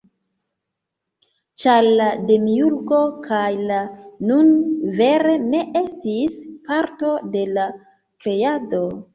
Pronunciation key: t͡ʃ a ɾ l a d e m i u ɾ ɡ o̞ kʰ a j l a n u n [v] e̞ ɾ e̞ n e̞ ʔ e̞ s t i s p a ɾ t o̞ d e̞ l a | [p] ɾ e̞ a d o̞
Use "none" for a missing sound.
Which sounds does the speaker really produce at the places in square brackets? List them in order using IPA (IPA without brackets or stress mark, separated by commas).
v, k